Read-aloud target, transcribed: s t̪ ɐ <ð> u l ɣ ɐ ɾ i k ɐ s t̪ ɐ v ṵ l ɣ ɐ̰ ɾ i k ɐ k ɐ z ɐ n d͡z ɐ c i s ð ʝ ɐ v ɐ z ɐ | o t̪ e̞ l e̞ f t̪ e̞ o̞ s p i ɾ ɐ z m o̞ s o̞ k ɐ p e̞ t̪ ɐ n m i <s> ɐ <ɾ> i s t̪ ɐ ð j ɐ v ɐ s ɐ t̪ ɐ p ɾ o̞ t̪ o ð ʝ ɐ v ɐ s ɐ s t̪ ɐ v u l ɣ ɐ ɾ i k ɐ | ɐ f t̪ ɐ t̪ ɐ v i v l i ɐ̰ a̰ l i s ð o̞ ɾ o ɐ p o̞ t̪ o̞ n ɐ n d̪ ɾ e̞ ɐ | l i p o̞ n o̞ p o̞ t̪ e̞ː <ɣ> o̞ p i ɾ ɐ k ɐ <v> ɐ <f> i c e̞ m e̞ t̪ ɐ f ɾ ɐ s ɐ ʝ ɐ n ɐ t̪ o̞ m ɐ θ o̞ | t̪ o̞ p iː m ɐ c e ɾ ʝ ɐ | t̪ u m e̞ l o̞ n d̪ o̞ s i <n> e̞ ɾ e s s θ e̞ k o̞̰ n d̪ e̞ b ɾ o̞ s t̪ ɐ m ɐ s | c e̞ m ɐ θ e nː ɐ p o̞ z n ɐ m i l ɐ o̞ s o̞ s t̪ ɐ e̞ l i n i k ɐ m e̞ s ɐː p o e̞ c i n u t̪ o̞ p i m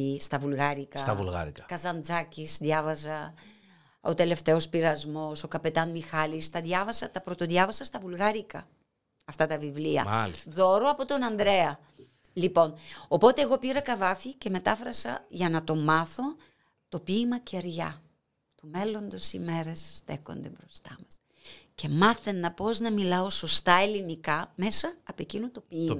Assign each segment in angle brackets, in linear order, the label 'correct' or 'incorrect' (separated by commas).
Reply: incorrect, incorrect, incorrect, correct, correct, correct, incorrect